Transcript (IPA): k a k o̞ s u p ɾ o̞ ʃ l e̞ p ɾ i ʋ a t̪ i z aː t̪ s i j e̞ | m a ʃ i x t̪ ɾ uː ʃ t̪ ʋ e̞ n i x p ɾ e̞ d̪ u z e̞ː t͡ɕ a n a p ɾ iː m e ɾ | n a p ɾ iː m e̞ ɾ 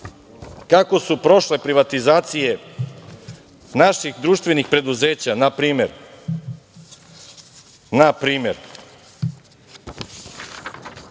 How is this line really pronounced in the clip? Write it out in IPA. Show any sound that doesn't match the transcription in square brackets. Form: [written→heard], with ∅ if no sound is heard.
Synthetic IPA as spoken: k a k o̞ s u p ɾ o̞ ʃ l e̞ p ɾ i ʋ a t̪ i z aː t̪ s i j e̞ | [m→n] a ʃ i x [t̪→d̪] ɾ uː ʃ t̪ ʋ e̞ n i x p ɾ e̞ d̪ u z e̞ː t͡ɕ a n a p ɾ iː m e ɾ | n a p ɾ iː m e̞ ɾ